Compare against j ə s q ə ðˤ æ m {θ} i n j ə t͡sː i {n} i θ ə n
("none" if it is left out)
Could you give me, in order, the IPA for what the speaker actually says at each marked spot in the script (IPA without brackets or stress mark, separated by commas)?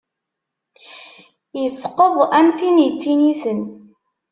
θ, n